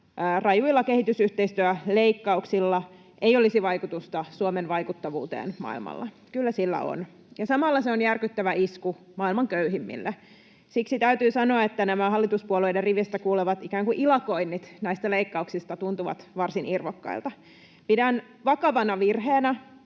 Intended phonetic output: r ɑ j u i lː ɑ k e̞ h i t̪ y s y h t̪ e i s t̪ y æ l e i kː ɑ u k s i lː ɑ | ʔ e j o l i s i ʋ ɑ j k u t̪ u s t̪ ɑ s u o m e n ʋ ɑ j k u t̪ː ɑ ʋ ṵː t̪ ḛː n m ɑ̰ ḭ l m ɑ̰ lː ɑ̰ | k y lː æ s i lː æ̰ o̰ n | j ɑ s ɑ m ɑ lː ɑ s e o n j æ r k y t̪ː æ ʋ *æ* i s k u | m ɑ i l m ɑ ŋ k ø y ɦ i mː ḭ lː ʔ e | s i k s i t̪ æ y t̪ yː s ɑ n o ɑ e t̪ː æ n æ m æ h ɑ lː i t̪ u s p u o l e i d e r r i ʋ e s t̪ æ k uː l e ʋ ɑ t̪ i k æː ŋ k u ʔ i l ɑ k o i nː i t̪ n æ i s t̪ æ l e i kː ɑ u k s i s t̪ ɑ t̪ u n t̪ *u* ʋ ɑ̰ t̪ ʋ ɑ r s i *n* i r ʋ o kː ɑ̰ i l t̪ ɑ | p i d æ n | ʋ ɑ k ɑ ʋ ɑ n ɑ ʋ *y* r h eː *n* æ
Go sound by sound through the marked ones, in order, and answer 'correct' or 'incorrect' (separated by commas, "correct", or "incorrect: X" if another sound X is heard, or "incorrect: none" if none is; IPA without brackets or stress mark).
correct, correct, correct, incorrect: i, correct